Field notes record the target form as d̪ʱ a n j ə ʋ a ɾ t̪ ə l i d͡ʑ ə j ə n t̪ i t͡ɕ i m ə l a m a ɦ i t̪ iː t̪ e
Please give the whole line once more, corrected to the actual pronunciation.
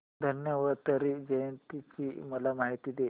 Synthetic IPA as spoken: d̪ʱ ə n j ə ʋ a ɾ t̪ ə ɾ i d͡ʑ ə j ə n t̪ i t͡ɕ i m ə l a m a ɦ i t̪ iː d̪ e

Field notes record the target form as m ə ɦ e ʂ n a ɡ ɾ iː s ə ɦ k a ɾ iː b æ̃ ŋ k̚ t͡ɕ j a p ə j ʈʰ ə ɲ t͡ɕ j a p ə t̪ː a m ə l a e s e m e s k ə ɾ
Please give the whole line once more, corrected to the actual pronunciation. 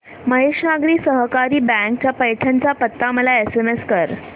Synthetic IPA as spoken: m ə ɦ e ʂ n a ɡ ɾ iː s ə ɦ k a ɾ iː b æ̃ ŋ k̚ t͡ɕ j a p ə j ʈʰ a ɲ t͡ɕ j a p ə t̪ː a m ə l a e s e m e s k ə ɾ

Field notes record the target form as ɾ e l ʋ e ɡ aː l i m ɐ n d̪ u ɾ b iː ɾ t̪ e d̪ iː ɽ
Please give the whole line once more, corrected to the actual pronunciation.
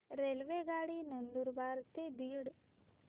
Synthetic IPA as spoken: ɾ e l ʋ e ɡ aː ɽ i n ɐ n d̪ u ɾ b aː ɾ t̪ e d̪ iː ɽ

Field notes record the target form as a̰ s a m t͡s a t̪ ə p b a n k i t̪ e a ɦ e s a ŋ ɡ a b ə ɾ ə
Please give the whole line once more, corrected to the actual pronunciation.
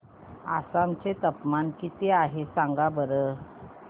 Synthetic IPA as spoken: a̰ s a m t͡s e t̪ ə p m a n k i t̪ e a ɦ e s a ŋ ɡ a b ə ɾ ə

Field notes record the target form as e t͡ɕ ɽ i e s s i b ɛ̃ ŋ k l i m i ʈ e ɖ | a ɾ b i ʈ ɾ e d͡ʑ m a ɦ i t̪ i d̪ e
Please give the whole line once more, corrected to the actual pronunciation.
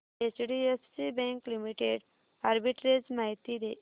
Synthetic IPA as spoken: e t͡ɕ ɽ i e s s i b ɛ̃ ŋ k l i m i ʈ e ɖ | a ɾ b i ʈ ɾ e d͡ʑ m a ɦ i t̪ i d̪ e

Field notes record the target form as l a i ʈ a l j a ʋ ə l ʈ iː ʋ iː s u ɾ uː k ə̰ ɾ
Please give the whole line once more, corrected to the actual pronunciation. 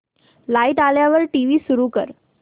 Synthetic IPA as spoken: l a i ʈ a l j a ʋ ə ɾ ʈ i ʋ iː s u ɾ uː k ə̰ ɾ

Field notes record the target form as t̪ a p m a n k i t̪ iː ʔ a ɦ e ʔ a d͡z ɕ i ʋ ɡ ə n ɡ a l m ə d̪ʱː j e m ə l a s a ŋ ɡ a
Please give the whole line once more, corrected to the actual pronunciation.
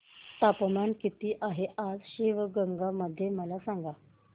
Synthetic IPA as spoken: t̪ a p m a n k i t̪ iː ʔ a ɦ e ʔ a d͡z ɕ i ʋ ɡ ə ŋ ɡ a m ə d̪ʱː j e m ə l a s a ŋ ɡ a

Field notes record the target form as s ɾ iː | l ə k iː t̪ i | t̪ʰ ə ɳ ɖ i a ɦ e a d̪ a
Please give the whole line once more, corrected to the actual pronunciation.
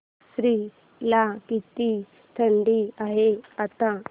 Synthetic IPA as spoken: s ɾ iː | l a k i t̪ i | t̪ʰ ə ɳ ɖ i a ɦ e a t̪ a

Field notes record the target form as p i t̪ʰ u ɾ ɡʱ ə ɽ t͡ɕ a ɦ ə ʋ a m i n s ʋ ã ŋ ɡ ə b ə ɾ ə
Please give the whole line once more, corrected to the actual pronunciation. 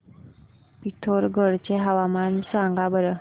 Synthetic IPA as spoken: p i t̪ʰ o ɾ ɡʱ ə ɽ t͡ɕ e ɦ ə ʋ a m a n s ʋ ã ŋ ɡ a b ə ɾ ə

